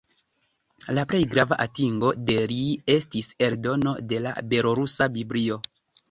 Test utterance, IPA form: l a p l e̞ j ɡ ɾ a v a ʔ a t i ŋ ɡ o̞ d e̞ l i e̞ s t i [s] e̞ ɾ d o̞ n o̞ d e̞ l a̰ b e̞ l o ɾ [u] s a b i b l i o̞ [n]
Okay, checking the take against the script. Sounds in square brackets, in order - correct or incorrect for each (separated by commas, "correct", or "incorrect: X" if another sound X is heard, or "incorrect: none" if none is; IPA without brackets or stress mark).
correct, correct, incorrect: none